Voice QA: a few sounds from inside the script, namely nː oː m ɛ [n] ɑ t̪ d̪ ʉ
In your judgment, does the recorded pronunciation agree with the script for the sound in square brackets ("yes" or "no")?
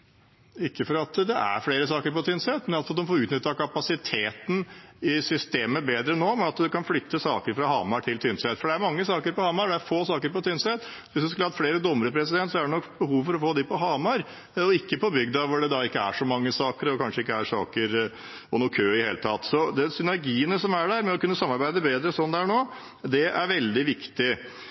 yes